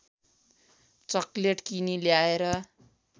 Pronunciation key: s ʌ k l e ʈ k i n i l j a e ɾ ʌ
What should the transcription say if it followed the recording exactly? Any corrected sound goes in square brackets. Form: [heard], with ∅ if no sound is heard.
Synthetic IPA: [t͡s] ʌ k l e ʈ k i n i l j a e ɾ ʌ